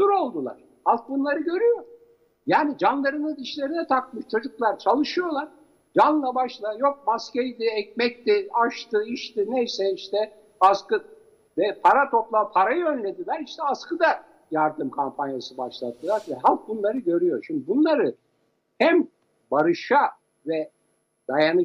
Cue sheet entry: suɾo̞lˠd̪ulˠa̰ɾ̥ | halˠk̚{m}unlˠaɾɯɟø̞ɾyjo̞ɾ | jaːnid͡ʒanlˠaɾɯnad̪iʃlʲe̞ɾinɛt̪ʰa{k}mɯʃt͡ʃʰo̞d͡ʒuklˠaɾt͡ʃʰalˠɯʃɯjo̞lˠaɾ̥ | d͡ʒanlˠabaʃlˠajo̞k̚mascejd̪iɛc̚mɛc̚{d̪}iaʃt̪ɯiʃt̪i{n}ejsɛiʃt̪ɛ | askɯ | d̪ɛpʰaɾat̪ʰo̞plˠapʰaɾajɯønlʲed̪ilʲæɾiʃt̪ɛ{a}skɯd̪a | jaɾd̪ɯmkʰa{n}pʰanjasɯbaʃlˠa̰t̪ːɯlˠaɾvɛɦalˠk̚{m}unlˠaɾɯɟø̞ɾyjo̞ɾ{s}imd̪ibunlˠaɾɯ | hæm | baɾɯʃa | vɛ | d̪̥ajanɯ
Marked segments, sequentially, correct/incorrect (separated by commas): incorrect, correct, incorrect, correct, correct, incorrect, incorrect, incorrect